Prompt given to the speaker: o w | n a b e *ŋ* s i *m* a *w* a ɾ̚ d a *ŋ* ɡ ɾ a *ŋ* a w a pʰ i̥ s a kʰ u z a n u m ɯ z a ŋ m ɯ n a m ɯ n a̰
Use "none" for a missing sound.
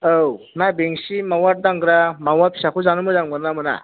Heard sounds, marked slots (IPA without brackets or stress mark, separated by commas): ŋ, m, w, ŋ, m